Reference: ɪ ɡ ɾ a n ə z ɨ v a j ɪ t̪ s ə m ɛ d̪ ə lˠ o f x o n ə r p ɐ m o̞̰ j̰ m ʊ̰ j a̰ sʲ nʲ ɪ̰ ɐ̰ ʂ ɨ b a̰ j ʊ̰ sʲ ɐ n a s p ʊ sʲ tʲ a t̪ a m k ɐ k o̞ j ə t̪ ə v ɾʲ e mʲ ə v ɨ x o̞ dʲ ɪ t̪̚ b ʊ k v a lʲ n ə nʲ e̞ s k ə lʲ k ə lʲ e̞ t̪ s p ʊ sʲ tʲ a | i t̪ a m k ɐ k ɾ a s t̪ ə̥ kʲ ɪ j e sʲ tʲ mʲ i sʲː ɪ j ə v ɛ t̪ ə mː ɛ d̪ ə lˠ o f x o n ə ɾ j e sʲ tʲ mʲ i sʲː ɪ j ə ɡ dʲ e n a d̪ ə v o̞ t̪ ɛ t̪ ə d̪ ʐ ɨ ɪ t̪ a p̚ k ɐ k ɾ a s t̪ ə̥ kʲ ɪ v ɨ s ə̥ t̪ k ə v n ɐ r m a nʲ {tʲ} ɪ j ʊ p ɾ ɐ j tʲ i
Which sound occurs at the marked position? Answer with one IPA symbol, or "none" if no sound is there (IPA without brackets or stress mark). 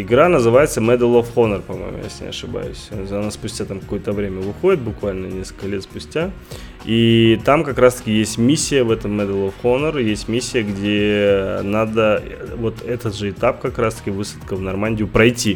dʲ